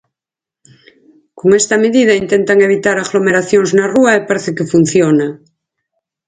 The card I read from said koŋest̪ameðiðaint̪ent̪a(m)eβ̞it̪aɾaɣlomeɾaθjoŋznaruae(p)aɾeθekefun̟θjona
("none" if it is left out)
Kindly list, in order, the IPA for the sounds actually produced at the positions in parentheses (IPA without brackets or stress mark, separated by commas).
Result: ŋ, p